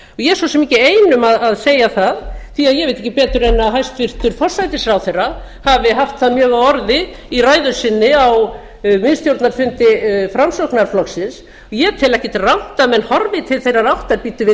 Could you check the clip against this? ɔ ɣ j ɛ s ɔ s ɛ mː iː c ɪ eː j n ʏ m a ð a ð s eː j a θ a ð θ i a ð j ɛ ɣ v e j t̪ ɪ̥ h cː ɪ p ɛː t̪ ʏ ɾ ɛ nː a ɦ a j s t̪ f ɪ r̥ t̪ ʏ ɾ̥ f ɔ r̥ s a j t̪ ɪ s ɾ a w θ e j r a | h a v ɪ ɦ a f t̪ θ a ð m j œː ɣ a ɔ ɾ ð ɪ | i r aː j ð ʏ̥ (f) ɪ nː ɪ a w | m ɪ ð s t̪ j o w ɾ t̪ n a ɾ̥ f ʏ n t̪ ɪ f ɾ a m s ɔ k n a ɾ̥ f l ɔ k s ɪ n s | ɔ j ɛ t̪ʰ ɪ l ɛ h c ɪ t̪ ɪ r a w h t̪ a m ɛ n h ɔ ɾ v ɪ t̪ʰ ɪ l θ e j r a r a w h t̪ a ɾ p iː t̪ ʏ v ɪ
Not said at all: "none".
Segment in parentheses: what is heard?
s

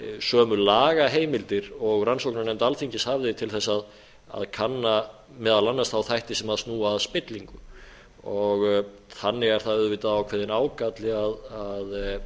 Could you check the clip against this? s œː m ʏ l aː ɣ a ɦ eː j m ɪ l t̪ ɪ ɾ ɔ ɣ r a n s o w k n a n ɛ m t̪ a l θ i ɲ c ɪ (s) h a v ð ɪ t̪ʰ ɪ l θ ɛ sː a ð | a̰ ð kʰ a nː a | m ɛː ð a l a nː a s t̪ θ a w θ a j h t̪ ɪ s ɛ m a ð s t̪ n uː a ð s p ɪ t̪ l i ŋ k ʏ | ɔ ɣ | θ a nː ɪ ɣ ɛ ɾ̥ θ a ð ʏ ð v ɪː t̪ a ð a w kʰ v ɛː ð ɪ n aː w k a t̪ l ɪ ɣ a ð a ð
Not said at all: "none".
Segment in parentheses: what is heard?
s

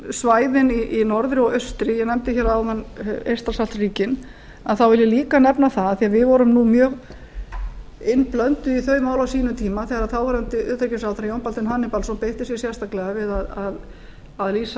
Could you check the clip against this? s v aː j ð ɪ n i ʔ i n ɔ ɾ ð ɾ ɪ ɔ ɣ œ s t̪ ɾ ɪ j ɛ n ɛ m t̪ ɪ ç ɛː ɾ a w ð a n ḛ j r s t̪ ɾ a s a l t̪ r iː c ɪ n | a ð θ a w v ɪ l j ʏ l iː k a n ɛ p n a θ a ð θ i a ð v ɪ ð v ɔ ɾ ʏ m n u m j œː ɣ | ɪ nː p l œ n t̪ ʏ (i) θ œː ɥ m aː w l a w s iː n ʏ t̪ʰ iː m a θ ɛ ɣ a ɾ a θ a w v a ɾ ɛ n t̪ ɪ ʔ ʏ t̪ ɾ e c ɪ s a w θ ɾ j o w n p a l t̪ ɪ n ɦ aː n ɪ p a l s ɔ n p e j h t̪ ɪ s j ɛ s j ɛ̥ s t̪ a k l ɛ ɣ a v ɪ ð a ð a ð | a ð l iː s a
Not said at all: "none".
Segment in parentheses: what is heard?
i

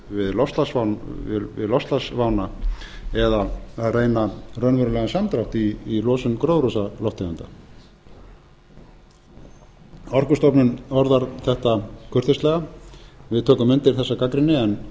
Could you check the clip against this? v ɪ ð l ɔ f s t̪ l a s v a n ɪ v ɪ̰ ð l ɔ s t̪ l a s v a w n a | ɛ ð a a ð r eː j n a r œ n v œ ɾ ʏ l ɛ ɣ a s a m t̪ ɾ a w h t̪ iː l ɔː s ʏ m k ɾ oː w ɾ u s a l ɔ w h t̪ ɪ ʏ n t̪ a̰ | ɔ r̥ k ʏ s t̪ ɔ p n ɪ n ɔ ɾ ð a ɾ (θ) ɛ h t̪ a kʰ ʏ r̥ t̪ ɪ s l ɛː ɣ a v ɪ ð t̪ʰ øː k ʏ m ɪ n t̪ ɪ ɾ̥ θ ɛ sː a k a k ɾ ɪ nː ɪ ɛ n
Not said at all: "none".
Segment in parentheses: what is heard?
θ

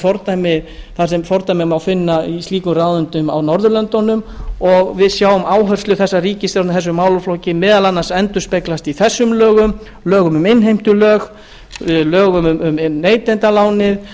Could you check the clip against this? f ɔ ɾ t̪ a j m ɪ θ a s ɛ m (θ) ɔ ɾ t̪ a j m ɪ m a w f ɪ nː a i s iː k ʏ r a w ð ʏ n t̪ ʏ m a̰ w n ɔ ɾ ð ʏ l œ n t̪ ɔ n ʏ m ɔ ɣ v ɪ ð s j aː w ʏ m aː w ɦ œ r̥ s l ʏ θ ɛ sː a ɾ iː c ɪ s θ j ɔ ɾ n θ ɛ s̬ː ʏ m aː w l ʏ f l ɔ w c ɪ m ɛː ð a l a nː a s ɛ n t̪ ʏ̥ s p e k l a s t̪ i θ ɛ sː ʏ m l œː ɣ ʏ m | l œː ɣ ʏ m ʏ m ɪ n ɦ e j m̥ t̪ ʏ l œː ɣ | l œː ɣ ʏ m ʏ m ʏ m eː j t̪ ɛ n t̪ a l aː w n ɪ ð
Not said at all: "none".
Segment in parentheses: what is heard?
f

